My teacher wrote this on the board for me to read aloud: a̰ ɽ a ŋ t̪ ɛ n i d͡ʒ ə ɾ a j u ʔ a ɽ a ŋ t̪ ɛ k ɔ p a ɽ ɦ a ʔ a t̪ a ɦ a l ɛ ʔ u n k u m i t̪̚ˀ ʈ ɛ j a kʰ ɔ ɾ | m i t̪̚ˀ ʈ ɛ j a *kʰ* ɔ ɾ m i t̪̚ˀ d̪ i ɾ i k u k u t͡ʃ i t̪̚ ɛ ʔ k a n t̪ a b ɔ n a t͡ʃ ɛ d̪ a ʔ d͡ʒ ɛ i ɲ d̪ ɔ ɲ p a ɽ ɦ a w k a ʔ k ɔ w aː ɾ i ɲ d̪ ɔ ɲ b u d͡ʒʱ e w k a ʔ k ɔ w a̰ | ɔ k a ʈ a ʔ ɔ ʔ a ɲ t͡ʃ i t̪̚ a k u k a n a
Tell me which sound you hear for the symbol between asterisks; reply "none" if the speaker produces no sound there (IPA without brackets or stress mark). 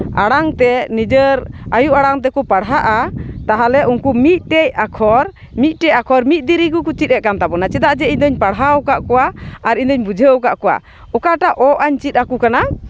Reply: kʰ